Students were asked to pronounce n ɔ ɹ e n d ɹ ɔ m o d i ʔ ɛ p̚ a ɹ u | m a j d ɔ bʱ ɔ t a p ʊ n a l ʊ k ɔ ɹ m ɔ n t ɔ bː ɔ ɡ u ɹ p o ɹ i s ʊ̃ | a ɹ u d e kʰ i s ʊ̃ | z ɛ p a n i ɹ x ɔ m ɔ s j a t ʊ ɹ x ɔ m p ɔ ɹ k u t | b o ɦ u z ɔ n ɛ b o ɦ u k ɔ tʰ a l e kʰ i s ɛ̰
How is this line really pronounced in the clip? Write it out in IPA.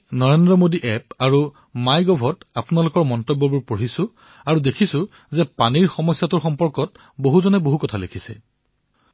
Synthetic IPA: n ɔ ɹ e n d ɹ ɔ m o d i ʔ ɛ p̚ a ɹ u | m a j ɡ ɔ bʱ ɔ t a p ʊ n a l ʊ k ɔ ɹ m ɔ n t ɔ bː ɔ b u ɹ p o ɹ i s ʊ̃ | a ɹ u d e kʰ i s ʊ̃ | z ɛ p a n i ɹ x ɔ m ɔ s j a t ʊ ɹ x ɔ m p ɔ ɹ k ɔ t | b o ɦ u z ɔ n ɛ b o ɦ u k ɔ tʰ a l e kʰ i s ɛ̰